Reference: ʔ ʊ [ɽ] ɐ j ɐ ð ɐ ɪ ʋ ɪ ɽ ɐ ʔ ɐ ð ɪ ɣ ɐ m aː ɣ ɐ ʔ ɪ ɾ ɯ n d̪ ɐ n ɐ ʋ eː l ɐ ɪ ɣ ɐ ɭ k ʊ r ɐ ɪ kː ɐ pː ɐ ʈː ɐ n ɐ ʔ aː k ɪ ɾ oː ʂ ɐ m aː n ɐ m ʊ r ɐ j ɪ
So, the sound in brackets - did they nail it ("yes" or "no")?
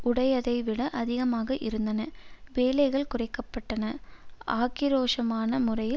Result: yes